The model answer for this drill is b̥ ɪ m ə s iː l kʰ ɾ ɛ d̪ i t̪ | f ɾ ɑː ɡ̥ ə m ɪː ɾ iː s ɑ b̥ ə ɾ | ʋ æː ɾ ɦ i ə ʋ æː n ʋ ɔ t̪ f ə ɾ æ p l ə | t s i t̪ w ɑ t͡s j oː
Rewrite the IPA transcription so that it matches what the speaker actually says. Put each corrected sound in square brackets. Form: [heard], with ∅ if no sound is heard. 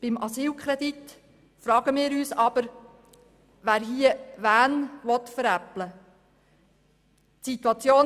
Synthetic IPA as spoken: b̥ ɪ m [ɑ] s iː l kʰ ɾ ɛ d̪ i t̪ | f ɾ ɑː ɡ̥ ə m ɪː ɾ [yː] s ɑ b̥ ə ɾ | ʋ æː ɾ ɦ i ə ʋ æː n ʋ ɔ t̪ f ə ɾ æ p l ə | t s i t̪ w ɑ t͡s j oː